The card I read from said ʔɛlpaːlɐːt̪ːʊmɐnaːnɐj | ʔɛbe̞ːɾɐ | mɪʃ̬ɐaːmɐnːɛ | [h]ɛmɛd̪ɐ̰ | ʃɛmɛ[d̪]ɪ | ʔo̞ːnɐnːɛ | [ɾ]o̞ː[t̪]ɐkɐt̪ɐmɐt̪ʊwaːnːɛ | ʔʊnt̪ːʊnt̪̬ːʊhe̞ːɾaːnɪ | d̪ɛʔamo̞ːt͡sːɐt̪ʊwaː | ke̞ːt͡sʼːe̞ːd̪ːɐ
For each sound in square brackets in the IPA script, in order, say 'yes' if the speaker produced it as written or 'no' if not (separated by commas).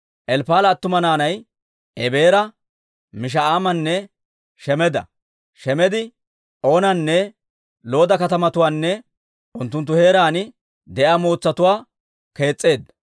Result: no, yes, no, no